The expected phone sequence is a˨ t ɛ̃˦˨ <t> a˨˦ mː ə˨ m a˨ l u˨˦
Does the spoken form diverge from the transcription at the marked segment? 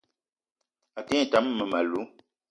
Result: no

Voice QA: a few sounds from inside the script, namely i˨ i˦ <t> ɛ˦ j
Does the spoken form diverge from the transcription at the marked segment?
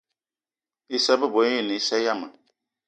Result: yes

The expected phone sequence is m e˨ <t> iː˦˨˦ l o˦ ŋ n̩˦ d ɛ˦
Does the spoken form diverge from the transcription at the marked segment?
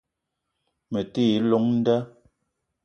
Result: no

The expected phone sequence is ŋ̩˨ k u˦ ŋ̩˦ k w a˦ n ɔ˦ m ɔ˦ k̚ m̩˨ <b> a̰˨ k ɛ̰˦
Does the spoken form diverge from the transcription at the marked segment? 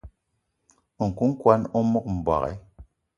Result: no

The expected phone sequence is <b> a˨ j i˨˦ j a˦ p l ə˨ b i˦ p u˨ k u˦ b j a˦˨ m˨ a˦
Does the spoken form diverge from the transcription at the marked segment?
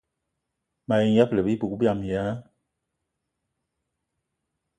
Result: yes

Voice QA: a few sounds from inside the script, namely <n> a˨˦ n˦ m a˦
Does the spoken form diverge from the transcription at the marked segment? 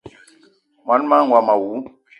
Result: yes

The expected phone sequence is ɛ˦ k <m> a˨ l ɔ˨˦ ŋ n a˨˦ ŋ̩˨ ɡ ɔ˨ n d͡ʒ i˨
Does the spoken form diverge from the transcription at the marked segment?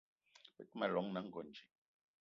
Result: no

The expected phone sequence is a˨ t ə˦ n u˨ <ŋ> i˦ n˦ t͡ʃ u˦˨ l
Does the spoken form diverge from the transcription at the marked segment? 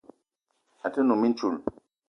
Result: yes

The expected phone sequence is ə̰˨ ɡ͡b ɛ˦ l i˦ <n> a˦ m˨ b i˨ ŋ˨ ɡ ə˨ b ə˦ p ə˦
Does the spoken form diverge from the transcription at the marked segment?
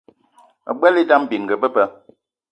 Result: yes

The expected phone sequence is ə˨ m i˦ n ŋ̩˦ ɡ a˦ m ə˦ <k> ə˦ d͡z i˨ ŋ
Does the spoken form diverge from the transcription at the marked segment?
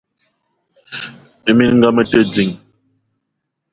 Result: yes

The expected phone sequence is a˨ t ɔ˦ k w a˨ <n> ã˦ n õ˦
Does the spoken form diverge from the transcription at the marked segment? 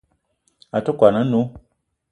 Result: no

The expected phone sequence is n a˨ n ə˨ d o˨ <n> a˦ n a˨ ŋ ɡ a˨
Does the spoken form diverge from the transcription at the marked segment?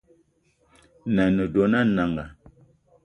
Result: no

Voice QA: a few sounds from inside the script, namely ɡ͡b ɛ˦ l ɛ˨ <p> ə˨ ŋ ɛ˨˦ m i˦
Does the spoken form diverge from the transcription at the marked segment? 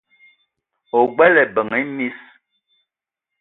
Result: yes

